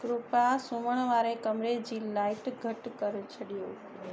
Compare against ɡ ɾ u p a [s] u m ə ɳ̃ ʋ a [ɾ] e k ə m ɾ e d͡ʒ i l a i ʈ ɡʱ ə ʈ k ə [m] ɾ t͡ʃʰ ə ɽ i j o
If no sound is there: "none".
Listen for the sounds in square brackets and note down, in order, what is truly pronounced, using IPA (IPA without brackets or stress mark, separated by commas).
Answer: s, ɾ, none